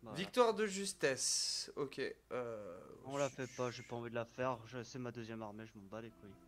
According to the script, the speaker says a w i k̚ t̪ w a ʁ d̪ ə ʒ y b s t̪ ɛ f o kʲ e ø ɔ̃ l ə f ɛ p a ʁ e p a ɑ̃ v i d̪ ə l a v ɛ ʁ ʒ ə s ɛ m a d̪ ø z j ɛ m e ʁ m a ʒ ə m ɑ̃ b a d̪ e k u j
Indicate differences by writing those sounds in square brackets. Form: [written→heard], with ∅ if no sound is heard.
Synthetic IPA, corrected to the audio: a [w→v] i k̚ t̪ w a ʁ d̪ ə ʒ y [b→∅] s t̪ ɛ [f→s] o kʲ e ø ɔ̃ l [ə→a] f ɛ p a [ʁ→ʒ] e p a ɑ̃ v i d̪ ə l a [v→f] ɛ ʁ ʒ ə s ɛ m a d̪ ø z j ɛ m [e→a] ʁ m [a→e] ʒ ə m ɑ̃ b a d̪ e k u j